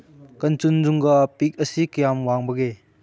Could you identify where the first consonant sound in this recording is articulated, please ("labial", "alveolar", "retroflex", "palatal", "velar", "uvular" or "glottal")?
velar